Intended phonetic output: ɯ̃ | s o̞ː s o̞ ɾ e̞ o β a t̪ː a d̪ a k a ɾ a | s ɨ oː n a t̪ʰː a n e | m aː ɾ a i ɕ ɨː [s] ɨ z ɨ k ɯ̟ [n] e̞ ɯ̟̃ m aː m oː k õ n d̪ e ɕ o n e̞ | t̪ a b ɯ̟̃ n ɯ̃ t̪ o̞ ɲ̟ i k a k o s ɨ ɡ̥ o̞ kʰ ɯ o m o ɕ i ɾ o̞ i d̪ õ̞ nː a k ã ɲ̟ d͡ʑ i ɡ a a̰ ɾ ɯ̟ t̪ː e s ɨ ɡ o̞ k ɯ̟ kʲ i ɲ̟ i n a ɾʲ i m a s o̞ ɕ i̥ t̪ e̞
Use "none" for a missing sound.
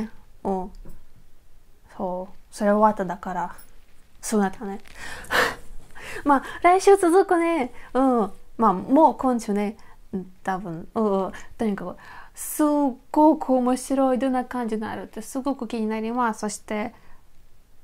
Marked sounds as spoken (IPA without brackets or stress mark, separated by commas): t͡s, n